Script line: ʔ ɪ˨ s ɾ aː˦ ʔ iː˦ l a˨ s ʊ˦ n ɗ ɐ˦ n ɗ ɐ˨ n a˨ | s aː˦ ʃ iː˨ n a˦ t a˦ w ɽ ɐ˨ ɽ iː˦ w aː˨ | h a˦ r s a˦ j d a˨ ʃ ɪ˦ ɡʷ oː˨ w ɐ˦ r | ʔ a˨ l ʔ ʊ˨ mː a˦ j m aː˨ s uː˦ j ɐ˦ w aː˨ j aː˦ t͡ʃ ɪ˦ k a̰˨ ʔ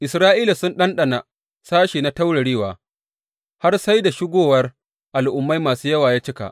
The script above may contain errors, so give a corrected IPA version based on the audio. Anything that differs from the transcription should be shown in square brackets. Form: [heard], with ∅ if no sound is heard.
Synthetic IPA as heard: ʔ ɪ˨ s ɾ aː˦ ʔ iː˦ l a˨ s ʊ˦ n ɗ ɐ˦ n ɗ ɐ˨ n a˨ | s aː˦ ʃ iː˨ n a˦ t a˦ w ɽ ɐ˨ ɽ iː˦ w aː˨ | h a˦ r s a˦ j d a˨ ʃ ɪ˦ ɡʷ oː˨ w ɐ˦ r | ʔ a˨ l ʔ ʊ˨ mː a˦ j m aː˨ s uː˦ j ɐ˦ w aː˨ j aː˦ t͡ʃ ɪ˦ k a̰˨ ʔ

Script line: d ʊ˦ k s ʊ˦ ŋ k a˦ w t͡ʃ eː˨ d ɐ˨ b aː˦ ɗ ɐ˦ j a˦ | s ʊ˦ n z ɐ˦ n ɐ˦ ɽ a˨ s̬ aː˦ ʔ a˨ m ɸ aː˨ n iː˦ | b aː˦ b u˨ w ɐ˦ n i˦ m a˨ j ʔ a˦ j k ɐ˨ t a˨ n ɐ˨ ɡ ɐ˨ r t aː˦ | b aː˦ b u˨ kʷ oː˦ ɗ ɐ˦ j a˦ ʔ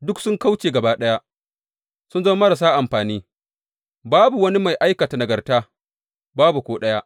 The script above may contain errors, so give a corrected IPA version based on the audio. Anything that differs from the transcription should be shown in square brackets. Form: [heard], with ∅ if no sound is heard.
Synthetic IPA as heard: d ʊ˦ k s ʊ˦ ŋ k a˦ w t͡ʃ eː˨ [ɡ] ɐ˨ b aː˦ ɗ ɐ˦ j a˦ | s ʊ˦ n z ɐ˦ [m] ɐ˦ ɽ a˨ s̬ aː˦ ʔ a˨ m ɸ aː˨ n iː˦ | b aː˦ b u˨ w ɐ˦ n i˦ m a˨ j ʔ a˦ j k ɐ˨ t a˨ n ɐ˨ ɡ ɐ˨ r t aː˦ | b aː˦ b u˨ kʷ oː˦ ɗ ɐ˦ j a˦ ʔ

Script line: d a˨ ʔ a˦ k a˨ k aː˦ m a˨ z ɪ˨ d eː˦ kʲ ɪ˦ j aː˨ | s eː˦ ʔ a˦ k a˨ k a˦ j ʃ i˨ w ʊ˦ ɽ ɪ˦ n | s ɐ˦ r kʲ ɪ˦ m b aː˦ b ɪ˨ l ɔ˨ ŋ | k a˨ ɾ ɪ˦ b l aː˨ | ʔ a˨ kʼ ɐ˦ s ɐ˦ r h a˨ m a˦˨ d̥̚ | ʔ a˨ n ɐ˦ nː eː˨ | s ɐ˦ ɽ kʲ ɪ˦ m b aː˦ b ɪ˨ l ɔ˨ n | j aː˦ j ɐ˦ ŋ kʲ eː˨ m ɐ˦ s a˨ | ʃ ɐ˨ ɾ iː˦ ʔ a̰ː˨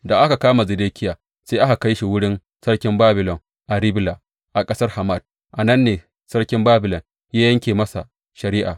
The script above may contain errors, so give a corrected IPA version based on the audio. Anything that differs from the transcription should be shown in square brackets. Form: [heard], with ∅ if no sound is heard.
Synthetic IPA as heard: d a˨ ʔ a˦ k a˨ k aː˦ m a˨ z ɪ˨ d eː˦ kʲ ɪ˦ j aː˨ | s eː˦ ʔ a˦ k a˨ k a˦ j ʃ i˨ w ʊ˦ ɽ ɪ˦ n | s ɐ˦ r kʲ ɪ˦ m b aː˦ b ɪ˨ l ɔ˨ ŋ | [ʔ] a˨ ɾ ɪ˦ b l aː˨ | ʔ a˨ kʼ ɐ˦ s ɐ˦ r h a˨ m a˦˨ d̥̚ | ʔ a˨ n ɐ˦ nː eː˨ | s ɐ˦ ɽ kʲ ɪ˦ m b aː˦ b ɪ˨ l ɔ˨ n | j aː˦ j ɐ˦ ŋ kʲ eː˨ m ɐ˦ s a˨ | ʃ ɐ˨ ɾ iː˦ ʔ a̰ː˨

